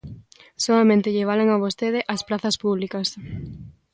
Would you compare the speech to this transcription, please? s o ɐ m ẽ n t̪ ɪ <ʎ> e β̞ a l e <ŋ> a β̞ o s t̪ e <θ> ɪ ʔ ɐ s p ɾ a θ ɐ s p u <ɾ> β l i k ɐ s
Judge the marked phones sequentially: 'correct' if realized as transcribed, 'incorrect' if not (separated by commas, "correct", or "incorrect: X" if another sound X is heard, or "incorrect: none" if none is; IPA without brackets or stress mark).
correct, correct, incorrect: ð, incorrect: none